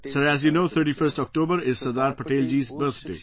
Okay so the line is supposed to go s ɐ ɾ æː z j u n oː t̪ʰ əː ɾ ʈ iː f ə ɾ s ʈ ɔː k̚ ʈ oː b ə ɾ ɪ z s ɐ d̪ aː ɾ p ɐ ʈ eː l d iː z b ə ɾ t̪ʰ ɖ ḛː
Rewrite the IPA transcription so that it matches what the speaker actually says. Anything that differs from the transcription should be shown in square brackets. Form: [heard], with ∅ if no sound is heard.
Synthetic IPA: s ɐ ɾ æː z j u n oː t̪ʰ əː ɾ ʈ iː f ə ɾ s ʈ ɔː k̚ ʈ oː b ə ɾ ɪ z s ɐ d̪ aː ɾ p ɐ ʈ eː l [d͡ʒ] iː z b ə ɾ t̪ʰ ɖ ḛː